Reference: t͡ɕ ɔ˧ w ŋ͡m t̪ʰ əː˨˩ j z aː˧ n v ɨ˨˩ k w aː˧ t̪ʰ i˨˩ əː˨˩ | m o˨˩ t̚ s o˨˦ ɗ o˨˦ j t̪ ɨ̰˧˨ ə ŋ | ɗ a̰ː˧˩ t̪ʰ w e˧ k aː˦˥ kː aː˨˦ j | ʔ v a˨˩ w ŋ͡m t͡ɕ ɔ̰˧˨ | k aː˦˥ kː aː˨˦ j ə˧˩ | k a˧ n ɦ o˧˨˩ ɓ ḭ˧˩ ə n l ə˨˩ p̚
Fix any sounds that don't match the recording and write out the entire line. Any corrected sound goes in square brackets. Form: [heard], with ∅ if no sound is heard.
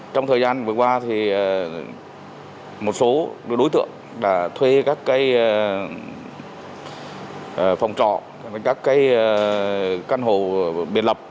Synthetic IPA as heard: t͡ɕ ɔ˧ w ŋ͡m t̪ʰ əː˨˩ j z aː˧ n v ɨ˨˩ k w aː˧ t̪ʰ i˨˩ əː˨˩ | m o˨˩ t̚ s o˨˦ ɗ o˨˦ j t̪ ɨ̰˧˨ ə ŋ | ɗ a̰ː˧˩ t̪ʰ w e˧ k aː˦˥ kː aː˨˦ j | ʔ [f] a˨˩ w ŋ͡m t͡ɕ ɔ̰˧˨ | k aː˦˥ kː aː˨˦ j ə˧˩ | k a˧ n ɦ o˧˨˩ ɓ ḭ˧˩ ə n l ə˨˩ p̚